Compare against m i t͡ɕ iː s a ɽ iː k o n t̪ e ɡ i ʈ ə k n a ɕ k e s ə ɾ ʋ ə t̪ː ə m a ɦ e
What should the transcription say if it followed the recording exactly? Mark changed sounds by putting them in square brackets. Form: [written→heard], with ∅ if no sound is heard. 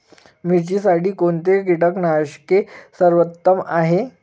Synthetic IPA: m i t͡ɕ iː s a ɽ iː k o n t̪ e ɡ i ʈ ə k n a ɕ k e s ə ɾ ʋ ə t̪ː ə m a ɦ e